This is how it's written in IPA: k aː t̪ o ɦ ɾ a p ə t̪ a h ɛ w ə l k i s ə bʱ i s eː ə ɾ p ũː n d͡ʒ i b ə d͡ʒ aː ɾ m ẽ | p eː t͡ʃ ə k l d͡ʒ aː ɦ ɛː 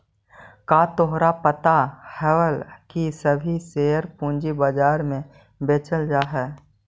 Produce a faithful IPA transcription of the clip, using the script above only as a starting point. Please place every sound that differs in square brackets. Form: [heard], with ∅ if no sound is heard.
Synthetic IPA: k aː t̪ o ɦ ɾ a p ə t̪ a h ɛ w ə l k i s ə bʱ i s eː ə ɾ p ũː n d͡ʒ i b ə d͡ʒ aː ɾ m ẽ | [b] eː t͡ʃ ə [∅] l d͡ʒ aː ɦ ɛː